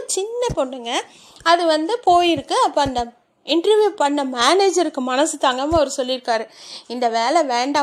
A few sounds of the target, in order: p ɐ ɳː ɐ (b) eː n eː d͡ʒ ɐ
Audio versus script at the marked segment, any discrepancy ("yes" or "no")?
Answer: yes